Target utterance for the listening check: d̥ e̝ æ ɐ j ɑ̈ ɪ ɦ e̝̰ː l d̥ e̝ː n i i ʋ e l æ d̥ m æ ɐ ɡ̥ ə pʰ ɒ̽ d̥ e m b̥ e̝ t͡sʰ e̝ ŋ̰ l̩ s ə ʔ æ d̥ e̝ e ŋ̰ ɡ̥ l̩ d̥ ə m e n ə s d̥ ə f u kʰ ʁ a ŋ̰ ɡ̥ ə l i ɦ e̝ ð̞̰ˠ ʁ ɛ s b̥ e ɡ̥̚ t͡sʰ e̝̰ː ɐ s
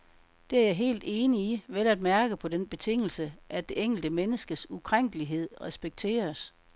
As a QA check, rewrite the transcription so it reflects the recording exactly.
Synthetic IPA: d̥ e̝ æ ɐ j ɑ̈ ɪ ɦ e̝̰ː l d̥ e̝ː n i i ʋ e l æ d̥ m æ ɐ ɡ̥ ə pʰ ɒ̽ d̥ e n b̥ e̝ t͡sʰ e̝ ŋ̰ l̩ s ə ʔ æ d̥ e̝ e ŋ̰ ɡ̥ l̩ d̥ ə m e n ə s ɡ̥ ə s u kʰ ʁ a ŋ̰ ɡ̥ ə l i ɦ e̝ ð̞̰ˠ ʁ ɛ s b̥ e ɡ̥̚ t͡sʰ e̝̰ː ɐ s